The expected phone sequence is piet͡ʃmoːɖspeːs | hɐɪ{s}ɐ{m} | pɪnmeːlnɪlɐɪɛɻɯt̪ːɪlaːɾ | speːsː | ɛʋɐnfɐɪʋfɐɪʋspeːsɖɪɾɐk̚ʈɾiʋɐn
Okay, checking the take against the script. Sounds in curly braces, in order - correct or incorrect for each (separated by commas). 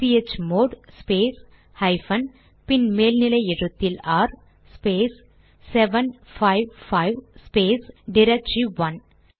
incorrect, incorrect